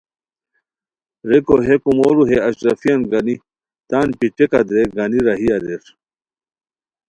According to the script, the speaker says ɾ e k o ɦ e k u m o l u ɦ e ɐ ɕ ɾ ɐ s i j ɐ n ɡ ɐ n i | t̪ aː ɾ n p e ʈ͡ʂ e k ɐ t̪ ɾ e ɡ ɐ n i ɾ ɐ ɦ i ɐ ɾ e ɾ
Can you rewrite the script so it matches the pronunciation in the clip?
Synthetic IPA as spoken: ɾ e k o ɦ e k u m o ɾ u ɦ e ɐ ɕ ɾ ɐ f i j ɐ n ɡ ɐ n i | t̪ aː n p i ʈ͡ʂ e k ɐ d̪ ɾ e ɡ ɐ n i ɾ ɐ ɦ i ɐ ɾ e ɾ